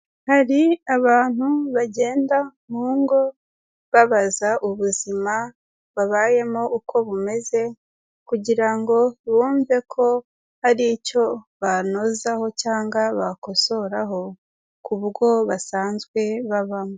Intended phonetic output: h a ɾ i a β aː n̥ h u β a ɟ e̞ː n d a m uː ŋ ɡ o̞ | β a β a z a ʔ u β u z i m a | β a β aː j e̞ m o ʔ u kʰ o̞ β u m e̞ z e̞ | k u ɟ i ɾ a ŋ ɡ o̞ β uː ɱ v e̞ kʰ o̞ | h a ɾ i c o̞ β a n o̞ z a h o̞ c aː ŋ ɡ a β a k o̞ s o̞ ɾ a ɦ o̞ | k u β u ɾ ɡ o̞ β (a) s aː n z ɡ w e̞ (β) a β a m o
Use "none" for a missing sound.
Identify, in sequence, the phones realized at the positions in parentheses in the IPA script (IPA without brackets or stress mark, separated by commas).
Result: a, β